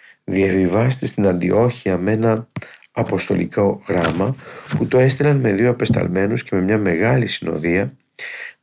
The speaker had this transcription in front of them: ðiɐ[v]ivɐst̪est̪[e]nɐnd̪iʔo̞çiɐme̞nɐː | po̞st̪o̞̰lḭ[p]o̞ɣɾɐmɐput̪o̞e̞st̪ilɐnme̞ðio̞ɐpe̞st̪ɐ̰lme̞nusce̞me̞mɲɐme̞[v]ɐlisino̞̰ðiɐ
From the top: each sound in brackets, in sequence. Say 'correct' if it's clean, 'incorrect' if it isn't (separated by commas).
correct, incorrect, incorrect, incorrect